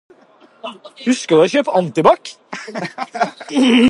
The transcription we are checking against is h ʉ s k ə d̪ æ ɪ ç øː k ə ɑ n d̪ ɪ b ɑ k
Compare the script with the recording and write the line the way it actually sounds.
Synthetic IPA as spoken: h ʉ s k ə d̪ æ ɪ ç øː p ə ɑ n t̪ ɪ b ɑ k

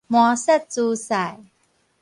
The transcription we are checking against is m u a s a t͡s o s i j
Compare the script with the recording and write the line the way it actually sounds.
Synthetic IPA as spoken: m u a s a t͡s u s a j

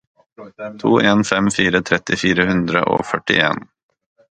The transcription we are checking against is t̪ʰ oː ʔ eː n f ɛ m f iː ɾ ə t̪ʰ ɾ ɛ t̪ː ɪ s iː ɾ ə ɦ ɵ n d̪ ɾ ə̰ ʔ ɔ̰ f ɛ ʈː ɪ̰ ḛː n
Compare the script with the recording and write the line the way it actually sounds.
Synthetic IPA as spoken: t̪ʰ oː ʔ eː n f ɛ m f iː ɾ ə t̪ʰ ɾ ɛ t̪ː ɪ f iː ɾ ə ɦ ɵ n d̪ ɾ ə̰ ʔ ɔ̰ f œ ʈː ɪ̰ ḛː n

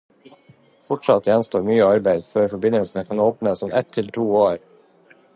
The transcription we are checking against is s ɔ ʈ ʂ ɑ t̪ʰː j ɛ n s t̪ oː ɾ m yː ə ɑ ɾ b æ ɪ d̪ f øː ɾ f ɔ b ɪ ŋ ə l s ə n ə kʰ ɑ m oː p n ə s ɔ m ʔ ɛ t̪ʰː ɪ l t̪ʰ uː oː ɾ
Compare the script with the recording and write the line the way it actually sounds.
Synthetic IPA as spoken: f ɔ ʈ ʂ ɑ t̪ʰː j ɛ n s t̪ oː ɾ m yː ə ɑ ɾ b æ ɪ d̪ f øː ɾ f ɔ b ɪ n ə l s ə n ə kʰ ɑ n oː p n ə s ɔ m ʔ ɛ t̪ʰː ɪ l t̪ʰ uː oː ɾ

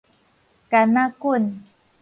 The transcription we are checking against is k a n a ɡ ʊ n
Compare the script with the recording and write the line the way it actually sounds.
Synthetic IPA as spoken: k a n a k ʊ n

